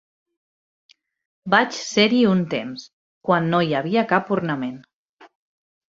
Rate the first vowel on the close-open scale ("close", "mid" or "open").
open